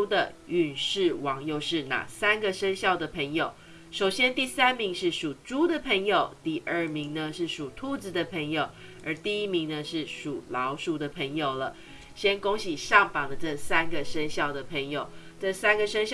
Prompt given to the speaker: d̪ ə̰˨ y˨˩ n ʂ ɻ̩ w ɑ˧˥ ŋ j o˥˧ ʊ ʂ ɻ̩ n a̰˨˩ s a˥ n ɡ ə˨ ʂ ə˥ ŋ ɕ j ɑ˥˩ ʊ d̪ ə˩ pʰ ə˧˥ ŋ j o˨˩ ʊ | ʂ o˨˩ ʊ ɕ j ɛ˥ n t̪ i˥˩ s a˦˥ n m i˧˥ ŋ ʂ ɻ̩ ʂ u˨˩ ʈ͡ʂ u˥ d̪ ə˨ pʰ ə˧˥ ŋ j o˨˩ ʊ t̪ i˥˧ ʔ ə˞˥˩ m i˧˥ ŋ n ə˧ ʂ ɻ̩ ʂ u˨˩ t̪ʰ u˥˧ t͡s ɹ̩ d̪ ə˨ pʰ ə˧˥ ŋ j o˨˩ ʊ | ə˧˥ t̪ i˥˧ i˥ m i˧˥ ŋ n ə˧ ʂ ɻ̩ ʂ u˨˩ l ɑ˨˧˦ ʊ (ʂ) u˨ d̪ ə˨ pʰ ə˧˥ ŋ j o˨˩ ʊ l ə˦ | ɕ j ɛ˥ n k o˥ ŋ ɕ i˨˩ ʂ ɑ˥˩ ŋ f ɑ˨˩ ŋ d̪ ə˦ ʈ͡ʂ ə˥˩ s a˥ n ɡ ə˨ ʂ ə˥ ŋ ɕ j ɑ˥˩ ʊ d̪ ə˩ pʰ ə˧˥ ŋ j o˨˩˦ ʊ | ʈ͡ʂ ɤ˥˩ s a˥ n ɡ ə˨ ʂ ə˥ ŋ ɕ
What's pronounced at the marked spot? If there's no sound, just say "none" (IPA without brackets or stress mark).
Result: ʂ